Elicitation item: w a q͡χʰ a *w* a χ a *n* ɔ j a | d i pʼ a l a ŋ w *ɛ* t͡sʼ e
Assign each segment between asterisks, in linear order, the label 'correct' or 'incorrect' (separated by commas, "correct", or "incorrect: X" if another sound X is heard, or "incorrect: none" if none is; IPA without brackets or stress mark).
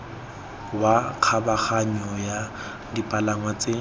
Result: incorrect: b, incorrect: ɲ, incorrect: a